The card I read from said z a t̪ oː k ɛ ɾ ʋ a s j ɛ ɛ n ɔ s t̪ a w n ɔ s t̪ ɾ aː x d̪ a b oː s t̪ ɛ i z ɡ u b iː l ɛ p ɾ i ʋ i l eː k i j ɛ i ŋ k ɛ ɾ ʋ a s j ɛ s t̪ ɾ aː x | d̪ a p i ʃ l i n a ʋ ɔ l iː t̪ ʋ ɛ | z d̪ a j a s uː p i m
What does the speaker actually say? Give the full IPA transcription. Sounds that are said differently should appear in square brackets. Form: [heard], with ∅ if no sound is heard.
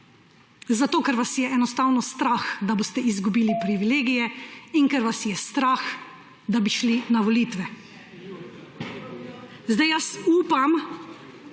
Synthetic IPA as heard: z a t̪ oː k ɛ ɾ ʋ a s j ɛ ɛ n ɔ s t̪ a w n ɔ s t̪ ɾ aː x d̪ a b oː s t̪ ɛ i z ɡ u b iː l [i] p ɾ i ʋ i l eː [ɡ] i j ɛ i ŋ k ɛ ɾ ʋ a s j ɛ s t̪ ɾ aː x | d̪ a [b] i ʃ l i n a ʋ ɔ l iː t̪ ʋ ɛ | z d̪ a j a s uː p [a] m

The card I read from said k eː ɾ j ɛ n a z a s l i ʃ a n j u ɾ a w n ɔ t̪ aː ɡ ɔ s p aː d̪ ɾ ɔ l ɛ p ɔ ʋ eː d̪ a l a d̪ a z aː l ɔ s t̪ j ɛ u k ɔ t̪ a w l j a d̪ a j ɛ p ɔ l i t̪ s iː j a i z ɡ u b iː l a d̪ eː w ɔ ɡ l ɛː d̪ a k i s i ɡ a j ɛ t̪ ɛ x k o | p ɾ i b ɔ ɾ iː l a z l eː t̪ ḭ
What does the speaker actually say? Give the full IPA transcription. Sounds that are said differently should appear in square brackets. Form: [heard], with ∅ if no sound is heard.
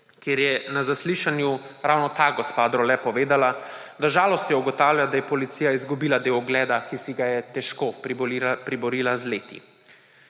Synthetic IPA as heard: k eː ɾ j ɛ n a z a s l i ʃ a n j u ɾ a w n ɔ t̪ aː ɡ ɔ s p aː d̪ ɾ ɔ l ɛ p ɔ ʋ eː d̪ a l a d̪ a [ʒ] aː l ɔ s t̪ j ɛ u [ɡ] ɔ t̪ a w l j a d̪ a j ɛ p ɔ l i t̪ s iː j a i z ɡ u b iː l a d̪ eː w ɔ ɡ l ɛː d̪ a k i s i ɡ a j ɛ t̪ ɛ [ʃ] k o | p ɾ i b ɔ ɾ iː l a z l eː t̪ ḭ

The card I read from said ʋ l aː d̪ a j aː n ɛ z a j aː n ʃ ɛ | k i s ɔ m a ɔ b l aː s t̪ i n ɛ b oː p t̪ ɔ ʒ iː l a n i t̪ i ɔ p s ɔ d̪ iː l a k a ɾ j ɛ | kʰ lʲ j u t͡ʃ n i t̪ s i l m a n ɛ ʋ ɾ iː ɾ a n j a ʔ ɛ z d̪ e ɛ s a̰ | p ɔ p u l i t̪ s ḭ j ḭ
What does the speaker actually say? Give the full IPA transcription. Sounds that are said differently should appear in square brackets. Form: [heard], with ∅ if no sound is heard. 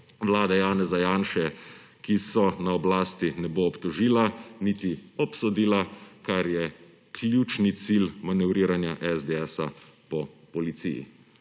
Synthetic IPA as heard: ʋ l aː d̪ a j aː n ɛ z a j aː n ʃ ɛ | k i s ɔ [n] a ɔ b l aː s t̪ i n ɛ b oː p t̪ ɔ ʒ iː l a n i t̪ i ɔ p s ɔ d̪ iː l a k a ɾ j ɛ | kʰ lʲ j u t͡ʃ n i t̪ s i l m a n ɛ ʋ ɾ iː ɾ a n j a ʔ ɛ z d̪ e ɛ s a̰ | p ɔ p [ɔ] l i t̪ s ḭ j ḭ

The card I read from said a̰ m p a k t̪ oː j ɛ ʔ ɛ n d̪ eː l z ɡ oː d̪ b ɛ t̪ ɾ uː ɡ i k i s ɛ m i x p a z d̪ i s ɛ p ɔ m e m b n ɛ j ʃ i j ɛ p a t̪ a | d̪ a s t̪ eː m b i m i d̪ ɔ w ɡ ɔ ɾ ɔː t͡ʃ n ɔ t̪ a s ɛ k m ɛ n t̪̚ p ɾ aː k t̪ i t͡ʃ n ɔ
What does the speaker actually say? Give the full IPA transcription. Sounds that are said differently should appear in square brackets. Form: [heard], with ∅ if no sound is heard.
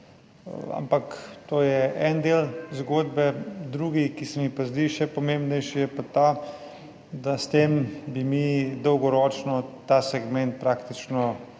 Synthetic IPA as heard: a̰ m p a k t̪ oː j ɛ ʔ ɛ n d̪ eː l z ɡ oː d̪ b ɛ [d̪] ɾ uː ɡ i k i s ɛ m i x p a z d̪ i [ʃ] ɛ p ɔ m e m b n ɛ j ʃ i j ɛ p a t̪ a | d̪ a s t̪ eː m b i m i d̪ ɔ w ɡ ɔ ɾ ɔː t͡ʃ n ɔ t̪ a s ɛ [ɡ] m ɛ n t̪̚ p ɾ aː k t̪ i t͡ʃ n ɔ

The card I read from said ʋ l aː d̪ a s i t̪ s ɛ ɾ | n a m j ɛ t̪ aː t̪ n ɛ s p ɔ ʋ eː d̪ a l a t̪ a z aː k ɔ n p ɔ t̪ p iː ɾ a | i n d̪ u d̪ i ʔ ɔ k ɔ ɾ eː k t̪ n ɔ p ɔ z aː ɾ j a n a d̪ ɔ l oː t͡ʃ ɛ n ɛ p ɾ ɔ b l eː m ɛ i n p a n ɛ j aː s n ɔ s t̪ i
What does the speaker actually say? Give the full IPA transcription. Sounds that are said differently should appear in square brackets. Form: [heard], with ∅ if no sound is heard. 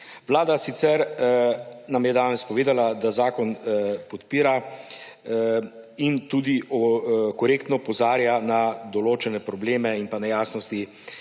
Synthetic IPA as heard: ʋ l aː d̪ a s i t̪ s ɛ ɾ | n a m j ɛ [d̪] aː [∅] n ɛ s p ɔ ʋ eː d̪ a l a [d̪] a z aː k ɔ n p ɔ t̪ p iː ɾ a | i n [t̪] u d̪ i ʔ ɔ k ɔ ɾ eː k t̪ n ɔ p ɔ z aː ɾ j a n a d̪ ɔ l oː t͡ʃ ɛ n ɛ p ɾ ɔ b l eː m ɛ i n p a n ɛ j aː s n ɔ s t̪ i

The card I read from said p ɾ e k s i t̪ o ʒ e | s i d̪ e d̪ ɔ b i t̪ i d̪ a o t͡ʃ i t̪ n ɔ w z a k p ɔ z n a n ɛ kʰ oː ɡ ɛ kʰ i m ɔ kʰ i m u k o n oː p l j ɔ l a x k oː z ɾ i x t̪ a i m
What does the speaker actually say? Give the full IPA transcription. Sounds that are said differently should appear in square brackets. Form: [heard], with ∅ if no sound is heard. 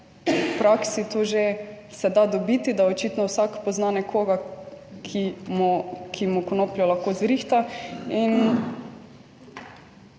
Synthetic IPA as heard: p ɾ [a] k s i t̪ o ʒ e | s [ɛ] d̪ [a] d̪ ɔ b i t̪ i d̪ a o t͡ʃ i t̪ n ɔ w [s] a k p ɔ z n a n ɛ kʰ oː ɡ [a] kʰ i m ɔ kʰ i m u k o n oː p l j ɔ l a x k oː z ɾ i x t̪ a i [n]

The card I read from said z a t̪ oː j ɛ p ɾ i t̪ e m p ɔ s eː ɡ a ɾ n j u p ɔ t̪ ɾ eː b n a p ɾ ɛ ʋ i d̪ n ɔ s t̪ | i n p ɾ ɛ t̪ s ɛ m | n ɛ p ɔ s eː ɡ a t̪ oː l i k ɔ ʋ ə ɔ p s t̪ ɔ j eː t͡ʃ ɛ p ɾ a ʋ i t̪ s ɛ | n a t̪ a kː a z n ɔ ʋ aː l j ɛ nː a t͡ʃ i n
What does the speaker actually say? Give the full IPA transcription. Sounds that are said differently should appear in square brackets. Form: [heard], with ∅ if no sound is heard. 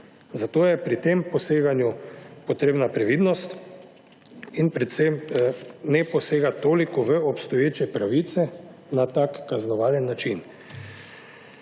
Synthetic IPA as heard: z a t̪ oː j ɛ p ɾ i t̪ e m p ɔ s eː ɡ a [∅] n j u p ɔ t̪ ɾ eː b n a p ɾ ɛ ʋ i d̪ n ɔ s t̪ | i n p ɾ ɛ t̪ s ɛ m | n ɛ p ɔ s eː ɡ a t̪ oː l i k ɔ ʋ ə ɔ p s t̪ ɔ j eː t͡ʃ ɛ p ɾ a ʋ i t̪ s ɛ | n a t̪ a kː a z n ɔ ʋ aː l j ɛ nː a t͡ʃ i n

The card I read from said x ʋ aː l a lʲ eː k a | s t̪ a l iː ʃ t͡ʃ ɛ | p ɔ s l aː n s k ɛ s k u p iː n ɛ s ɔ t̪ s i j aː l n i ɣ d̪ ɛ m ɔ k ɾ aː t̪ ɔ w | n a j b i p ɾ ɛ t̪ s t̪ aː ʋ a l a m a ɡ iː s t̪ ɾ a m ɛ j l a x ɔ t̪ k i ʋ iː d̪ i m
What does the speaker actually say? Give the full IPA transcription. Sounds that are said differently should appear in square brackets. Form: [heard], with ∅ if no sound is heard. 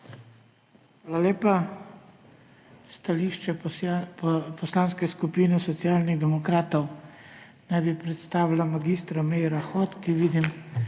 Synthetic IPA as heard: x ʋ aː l a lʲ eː [p] a | s t̪ a l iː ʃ t͡ʃ ɛ | p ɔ s l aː n s k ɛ s k u p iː n ɛ s ɔ t̪ s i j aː l n i ɣ d̪ ɛ m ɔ k ɾ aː t̪ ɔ w | n a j b i p ɾ ɛ t̪ s t̪ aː ʋ [i] l a m a ɡ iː s t̪ ɾ a m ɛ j [ɾ] a x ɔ t̪ k i ʋ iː d̪ i m

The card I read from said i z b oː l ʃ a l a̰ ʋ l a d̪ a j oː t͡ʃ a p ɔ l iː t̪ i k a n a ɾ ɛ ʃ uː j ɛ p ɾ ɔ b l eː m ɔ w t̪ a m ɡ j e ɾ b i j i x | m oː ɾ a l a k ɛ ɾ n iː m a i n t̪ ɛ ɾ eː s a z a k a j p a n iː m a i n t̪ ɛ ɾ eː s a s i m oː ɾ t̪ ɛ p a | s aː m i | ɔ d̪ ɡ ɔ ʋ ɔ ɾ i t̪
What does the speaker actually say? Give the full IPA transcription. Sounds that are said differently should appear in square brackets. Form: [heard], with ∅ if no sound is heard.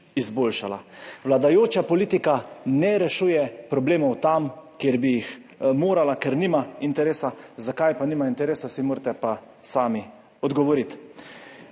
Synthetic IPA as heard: i z b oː l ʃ a l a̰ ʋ l a d̪ a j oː t͡ʃ a p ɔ l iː t̪ i k a n [ɛ] ɾ ɛ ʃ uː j ɛ p ɾ ɔ b l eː m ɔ w t̪ a m [k] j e ɾ b i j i x | m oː ɾ a l a k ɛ ɾ n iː m a i n t̪ ɛ ɾ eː s a z a k a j p a n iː m a i n t̪ ɛ ɾ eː s a s i m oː ɾ t̪ ɛ p a | s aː m i | ɔ d̪ ɡ ɔ ʋ ɔ ɾ i t̪

